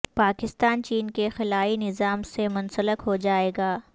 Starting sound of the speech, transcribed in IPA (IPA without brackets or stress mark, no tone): p